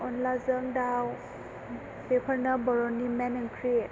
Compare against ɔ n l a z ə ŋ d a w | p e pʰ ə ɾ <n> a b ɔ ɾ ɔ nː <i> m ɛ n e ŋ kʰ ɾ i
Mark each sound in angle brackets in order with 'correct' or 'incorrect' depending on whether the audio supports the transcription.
correct, correct

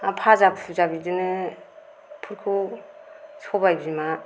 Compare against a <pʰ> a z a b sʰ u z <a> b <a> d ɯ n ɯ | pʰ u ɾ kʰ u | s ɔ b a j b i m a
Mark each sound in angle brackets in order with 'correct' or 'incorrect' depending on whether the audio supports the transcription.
correct, correct, incorrect

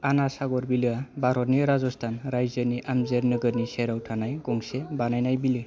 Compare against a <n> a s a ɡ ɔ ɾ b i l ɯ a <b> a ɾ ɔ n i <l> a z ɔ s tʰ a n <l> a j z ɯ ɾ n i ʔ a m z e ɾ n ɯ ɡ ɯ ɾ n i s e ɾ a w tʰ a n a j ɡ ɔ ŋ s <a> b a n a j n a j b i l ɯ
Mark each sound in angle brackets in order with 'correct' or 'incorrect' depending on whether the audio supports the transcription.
correct, correct, incorrect, incorrect, incorrect

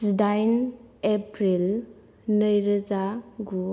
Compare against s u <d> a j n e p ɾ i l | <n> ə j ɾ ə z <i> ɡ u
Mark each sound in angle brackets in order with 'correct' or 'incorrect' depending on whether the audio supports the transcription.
correct, correct, incorrect

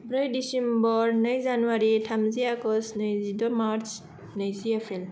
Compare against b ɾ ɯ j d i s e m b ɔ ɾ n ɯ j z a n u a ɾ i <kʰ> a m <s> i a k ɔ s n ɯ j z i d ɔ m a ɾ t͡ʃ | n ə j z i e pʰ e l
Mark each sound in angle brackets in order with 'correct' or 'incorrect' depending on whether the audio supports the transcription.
incorrect, incorrect

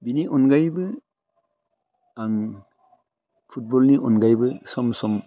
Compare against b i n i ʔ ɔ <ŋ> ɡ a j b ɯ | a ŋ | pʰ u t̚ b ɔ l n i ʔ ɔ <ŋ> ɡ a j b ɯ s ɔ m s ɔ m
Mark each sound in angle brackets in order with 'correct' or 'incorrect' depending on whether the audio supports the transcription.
incorrect, incorrect

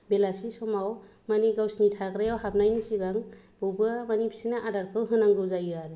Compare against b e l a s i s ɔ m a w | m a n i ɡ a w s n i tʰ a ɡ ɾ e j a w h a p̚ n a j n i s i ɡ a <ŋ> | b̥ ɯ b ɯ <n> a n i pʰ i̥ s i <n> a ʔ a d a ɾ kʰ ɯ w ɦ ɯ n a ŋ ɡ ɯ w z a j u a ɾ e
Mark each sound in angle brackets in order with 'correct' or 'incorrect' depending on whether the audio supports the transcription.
correct, incorrect, correct

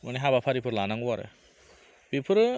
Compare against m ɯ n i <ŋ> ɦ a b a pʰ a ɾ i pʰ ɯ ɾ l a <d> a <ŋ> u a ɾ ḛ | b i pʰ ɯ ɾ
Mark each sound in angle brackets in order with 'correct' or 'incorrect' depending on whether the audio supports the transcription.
incorrect, incorrect, correct

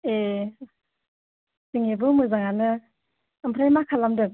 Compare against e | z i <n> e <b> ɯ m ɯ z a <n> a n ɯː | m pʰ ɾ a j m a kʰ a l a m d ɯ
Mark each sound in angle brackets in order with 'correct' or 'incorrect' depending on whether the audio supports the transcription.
incorrect, correct, incorrect

